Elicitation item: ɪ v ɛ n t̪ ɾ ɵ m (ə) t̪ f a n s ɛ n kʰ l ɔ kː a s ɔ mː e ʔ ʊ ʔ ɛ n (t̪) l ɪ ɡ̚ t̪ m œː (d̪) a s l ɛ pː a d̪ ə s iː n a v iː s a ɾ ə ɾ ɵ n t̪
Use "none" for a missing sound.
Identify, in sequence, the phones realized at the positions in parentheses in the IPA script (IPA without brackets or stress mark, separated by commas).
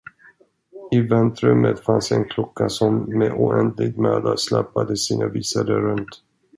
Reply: ə, d̪, d̪